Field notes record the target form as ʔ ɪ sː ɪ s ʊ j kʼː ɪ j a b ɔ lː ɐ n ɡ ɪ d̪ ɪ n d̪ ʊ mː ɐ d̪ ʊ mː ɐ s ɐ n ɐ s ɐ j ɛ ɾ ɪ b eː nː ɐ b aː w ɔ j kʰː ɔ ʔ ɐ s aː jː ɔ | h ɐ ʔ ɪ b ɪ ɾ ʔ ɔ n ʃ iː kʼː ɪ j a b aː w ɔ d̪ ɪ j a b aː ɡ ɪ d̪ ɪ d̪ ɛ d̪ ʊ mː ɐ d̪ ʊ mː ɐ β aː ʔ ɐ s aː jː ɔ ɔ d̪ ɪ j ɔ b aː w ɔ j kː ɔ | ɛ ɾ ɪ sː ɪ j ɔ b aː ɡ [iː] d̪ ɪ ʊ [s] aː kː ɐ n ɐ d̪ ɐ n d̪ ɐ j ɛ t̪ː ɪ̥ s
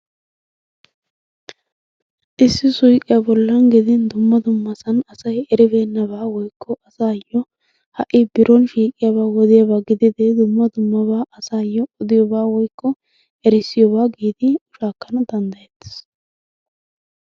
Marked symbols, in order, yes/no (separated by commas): yes, no